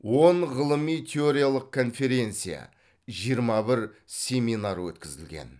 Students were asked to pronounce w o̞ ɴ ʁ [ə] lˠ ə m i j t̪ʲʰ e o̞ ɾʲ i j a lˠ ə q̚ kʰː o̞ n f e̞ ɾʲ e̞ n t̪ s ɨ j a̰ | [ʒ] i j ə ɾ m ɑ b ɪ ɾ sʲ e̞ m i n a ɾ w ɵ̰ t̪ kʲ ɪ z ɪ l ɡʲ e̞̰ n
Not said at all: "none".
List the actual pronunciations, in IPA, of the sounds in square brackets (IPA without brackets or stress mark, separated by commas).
ə, ʒ